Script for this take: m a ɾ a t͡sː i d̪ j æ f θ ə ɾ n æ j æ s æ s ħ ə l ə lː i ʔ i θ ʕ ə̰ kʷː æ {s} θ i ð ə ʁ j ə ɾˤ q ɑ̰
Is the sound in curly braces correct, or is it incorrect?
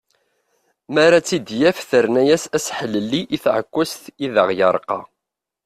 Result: correct